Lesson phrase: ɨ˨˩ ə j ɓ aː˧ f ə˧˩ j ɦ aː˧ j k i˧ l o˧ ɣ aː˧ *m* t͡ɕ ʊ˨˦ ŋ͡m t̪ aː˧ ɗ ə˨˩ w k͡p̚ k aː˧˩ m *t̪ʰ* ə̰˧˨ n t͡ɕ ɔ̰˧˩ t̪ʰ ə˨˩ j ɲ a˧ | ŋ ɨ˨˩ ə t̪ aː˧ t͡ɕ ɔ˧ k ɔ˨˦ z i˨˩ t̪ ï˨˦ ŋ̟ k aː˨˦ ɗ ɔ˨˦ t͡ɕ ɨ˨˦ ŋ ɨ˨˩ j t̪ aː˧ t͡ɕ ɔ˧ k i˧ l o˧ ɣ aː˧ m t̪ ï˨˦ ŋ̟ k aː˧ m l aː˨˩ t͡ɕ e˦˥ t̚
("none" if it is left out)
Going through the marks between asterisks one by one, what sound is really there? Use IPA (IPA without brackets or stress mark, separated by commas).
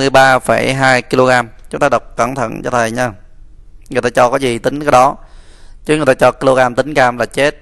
m, t̪ʰ